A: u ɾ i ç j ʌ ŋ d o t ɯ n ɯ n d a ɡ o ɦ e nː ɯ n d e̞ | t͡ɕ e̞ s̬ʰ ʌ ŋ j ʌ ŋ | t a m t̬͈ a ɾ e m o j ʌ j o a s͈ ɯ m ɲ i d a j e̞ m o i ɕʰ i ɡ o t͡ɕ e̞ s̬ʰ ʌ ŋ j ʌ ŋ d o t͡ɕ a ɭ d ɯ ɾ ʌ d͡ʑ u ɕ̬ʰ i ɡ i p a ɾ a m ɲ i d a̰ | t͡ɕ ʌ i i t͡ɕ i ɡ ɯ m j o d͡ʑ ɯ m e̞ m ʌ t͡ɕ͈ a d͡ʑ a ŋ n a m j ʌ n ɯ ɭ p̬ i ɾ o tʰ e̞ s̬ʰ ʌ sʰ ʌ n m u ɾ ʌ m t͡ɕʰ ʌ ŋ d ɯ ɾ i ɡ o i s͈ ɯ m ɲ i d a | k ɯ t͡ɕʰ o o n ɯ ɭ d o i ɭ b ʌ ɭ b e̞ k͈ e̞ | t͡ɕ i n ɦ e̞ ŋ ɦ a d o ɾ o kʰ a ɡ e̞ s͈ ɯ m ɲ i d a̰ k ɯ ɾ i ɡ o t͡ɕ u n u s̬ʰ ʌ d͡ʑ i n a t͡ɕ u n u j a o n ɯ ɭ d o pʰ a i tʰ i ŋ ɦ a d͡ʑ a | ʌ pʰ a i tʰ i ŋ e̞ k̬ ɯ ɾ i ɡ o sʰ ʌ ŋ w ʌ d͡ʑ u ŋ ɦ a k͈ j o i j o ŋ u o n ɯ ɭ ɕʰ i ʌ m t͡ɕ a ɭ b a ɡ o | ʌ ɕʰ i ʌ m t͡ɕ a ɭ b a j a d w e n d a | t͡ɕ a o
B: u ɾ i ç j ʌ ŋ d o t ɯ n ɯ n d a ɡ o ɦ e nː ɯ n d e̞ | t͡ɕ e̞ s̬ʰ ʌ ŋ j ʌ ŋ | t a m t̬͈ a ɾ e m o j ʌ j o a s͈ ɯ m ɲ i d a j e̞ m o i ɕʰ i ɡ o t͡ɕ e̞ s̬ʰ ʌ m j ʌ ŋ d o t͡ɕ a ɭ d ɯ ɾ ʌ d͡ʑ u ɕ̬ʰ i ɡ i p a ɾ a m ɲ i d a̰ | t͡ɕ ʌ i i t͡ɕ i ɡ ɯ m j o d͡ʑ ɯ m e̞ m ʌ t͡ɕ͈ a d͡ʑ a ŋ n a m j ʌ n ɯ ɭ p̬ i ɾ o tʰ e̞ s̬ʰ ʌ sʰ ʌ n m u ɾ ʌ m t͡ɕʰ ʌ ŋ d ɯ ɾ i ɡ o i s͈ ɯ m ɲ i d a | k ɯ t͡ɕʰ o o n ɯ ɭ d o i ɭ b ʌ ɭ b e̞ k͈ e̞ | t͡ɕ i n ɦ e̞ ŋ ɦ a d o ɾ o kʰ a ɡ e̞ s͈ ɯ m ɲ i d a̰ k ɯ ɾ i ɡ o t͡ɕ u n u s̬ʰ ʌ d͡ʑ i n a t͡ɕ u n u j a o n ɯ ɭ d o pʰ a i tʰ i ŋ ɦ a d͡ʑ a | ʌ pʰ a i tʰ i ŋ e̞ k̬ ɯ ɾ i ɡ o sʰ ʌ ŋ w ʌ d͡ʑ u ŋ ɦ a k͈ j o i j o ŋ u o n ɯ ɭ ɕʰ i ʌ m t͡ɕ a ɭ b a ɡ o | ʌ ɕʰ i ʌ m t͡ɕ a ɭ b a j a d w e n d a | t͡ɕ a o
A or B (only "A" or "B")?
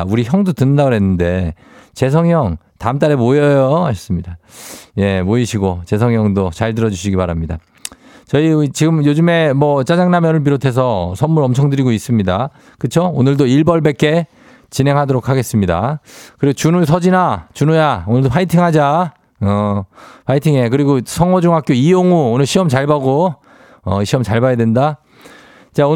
A